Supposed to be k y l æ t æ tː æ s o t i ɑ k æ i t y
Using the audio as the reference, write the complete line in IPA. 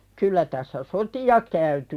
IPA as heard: k y lː æ t æ sː æ s o t i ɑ k æ y t y

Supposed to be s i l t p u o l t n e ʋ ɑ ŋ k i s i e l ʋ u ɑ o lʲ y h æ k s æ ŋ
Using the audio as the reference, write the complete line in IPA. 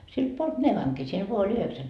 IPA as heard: s i l t p u o l t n e ʋ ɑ ŋ k i s i e l ʋ o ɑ o lʲ y h e k s æ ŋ

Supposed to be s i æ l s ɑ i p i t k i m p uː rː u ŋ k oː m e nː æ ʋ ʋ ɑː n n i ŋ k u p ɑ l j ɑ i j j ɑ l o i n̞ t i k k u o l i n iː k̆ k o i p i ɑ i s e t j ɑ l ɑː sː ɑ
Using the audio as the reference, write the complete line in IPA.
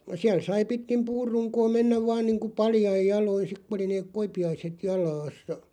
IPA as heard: s i æ l s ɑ i p i t k i m p uː rː u ŋ k oː m e nː æ ʋ ʋ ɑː n n iː ŋ k u p ɑ l j ɑ i j j ɑ l o i n̞ s i k k u o l i n eː k̆ k o i p i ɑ i s e t j ɑ l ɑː sː ɑ

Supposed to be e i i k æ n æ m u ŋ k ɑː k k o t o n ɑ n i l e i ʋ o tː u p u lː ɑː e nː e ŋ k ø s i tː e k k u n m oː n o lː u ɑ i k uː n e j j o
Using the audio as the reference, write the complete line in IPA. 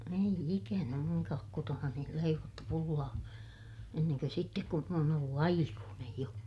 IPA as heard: e i i k æ n æ m u ŋ k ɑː k k o t o n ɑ n i l e i ʋ o tː u p u lː ɑː e nː e ŋ k ø s i tː e k k u n m oː n o lː u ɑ i k uː n e j j o

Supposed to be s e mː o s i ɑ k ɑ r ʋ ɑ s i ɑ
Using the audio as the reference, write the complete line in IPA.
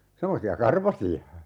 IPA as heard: s e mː o s i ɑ k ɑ r ʋ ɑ s i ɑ

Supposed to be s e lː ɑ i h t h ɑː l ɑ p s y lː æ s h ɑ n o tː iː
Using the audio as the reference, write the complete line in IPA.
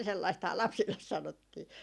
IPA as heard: s e lː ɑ i s t h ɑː l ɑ p s i lː e s s ɑ n o tː iː

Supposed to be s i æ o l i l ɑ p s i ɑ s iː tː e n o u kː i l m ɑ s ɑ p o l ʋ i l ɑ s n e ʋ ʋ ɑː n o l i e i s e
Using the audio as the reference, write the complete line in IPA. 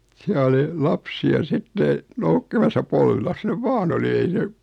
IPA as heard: s i æ o l i l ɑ p s i ɑ s i tː e n o u kː i m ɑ s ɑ p o l ʋ i l ɑ s n e ʋ ʋ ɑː n o l i e i s e

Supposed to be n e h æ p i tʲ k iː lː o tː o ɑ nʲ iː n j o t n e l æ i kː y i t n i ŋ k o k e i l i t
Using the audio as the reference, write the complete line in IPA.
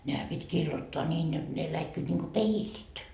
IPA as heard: n e h æ p i tʲ k iː lː o tː o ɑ nʲ iː n j o t n e l æ i kː y i t n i ŋ k o p e i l i t

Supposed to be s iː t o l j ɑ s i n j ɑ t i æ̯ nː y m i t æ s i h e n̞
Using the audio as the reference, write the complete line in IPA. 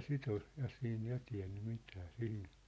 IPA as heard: s i t o l j ɑ s iː n j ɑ t i æ̯ nː y m i t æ s i h i n̞

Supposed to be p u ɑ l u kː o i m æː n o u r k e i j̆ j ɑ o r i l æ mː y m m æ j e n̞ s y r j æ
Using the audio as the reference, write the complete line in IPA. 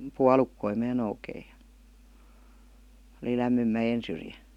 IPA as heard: p u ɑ l u kː o i m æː n o u k e i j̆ j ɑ o l i l æ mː y m m æ j e n̞ s y r j æ

